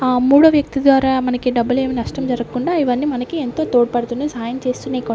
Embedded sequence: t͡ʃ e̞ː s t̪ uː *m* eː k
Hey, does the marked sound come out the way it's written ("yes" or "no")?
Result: no